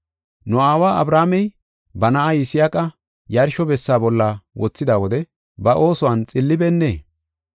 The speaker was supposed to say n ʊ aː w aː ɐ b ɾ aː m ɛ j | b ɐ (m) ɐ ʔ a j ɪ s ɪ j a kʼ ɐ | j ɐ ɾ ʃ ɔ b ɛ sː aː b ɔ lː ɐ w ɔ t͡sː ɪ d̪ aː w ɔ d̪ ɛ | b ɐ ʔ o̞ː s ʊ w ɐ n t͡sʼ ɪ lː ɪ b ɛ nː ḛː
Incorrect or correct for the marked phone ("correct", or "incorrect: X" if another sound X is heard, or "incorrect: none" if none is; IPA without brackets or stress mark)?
incorrect: n